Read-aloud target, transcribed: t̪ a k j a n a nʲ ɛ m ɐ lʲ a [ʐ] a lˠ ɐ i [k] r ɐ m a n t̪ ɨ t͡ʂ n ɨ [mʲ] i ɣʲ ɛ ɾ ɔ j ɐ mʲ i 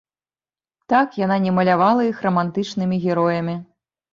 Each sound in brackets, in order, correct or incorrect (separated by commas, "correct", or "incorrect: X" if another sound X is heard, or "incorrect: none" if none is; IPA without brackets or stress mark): incorrect: v, incorrect: x, correct